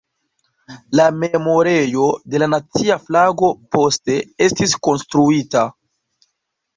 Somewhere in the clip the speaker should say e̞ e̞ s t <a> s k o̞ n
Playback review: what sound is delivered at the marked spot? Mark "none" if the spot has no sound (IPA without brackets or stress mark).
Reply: i